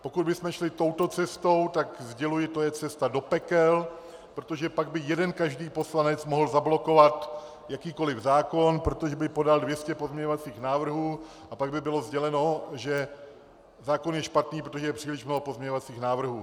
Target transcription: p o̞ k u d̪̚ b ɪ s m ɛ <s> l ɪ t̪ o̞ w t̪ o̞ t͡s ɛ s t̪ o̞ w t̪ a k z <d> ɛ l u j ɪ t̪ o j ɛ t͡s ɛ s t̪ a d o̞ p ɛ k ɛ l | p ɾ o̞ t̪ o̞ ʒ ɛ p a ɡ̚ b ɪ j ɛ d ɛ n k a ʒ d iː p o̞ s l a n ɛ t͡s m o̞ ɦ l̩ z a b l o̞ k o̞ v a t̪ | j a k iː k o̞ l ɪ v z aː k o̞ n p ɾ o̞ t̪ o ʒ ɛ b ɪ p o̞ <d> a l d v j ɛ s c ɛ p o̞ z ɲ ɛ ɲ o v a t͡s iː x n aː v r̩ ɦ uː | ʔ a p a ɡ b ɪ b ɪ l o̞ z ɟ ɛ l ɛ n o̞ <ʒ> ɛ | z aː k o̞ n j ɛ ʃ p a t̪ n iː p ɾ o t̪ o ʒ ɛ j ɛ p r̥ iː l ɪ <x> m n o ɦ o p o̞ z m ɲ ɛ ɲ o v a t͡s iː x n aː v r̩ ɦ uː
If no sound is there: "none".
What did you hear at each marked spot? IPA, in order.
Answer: ʃ, ɟ, d, ʒ, ʃ

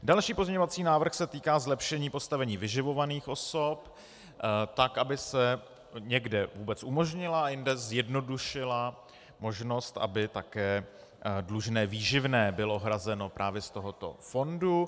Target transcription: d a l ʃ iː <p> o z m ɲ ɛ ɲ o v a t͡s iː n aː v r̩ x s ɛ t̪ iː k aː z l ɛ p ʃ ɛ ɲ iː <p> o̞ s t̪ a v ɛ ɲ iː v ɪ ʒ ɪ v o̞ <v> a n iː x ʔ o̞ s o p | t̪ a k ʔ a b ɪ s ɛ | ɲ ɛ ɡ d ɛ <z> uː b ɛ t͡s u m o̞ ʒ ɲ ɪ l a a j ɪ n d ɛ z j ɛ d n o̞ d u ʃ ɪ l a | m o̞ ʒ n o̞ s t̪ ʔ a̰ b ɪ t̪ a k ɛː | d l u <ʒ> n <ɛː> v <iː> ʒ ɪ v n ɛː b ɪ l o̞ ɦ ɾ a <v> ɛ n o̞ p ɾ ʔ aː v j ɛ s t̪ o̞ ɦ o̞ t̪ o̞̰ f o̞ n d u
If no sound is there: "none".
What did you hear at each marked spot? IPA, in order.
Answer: p, p, v, v, ʒ, ɛː, iː, z

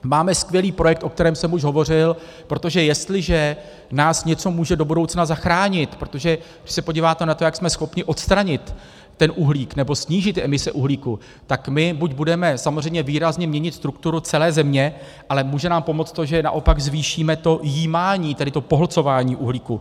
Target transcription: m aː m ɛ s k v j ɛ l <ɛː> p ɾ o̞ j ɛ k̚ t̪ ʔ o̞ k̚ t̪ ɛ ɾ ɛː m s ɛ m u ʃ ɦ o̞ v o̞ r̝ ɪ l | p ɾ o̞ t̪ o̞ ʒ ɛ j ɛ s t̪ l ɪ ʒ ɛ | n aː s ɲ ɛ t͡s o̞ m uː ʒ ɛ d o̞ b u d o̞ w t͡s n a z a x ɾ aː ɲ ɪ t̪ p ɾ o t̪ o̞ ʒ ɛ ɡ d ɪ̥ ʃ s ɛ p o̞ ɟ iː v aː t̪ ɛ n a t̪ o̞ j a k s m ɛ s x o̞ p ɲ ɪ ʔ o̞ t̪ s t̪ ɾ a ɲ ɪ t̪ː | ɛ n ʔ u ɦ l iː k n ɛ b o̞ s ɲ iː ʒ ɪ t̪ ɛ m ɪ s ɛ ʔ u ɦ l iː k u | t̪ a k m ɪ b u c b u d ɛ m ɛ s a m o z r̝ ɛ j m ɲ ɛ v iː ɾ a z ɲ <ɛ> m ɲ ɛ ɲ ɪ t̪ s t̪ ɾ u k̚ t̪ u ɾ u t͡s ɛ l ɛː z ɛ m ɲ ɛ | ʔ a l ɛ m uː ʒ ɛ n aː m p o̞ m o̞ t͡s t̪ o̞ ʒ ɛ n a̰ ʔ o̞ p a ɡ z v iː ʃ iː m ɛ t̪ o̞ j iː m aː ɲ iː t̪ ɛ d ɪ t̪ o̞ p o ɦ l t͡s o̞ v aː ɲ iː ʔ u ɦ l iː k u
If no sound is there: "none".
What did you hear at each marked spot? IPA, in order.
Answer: iː, ɛ

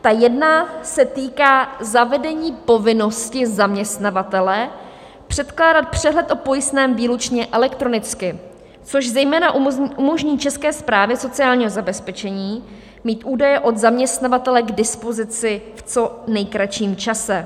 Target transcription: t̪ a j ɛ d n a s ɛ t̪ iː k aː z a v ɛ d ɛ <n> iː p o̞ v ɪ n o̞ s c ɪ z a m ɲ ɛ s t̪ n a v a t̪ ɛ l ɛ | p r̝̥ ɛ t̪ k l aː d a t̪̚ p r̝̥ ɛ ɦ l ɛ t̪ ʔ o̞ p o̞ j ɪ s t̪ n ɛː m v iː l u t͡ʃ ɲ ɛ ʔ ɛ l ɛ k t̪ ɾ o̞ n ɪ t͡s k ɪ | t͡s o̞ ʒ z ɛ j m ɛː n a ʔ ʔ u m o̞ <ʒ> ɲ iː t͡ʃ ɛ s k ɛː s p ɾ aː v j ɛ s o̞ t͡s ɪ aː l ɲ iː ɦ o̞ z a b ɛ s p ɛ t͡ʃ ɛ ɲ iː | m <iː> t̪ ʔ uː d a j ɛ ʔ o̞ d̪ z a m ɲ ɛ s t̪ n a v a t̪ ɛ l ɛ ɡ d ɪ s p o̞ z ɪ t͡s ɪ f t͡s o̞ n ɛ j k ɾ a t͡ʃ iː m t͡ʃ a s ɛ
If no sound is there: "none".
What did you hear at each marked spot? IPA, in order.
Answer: ɲ, ʒ, iː

